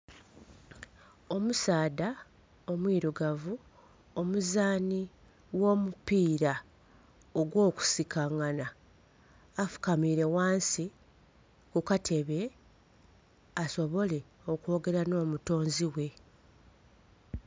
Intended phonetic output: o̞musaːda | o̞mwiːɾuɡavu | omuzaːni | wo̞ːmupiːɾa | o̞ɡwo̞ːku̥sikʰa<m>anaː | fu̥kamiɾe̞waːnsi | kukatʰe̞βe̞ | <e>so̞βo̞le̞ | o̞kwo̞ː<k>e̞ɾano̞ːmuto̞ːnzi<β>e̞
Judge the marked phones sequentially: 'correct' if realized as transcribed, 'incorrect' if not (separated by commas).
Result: incorrect, incorrect, incorrect, incorrect